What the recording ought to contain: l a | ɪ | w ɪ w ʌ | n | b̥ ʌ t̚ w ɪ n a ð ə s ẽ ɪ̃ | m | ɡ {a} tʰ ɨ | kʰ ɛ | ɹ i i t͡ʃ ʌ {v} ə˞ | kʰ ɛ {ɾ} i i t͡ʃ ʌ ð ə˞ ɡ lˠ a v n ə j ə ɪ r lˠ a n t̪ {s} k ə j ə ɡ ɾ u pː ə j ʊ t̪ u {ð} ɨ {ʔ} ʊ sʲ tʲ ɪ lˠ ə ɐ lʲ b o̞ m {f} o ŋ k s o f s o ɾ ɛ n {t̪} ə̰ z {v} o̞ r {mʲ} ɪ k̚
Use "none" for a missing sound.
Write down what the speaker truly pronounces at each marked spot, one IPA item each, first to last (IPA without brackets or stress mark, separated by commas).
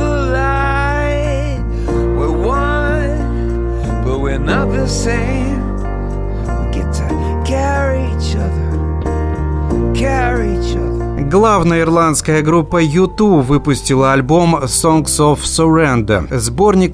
ɛ, ð, ɹ, s, v, p, s, d̪, b, nʲ